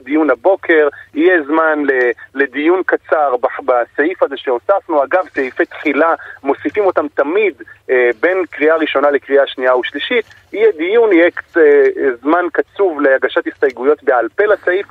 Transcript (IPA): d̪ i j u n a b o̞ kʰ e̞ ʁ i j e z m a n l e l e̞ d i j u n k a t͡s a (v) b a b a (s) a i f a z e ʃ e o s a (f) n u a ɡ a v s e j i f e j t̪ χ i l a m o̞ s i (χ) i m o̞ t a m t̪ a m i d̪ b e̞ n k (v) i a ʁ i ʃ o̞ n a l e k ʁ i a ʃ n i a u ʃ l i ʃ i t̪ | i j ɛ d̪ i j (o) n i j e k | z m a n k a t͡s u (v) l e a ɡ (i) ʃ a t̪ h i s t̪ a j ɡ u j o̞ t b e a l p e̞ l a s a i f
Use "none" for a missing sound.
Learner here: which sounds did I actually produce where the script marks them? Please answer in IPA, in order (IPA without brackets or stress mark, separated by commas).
ʁ, s, f, f, ʁ, u, v, a